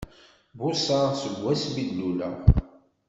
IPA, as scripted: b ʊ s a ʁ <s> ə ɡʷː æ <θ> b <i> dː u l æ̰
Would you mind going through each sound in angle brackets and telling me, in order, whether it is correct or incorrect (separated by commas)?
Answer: correct, incorrect, correct